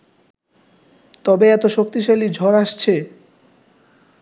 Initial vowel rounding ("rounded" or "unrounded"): rounded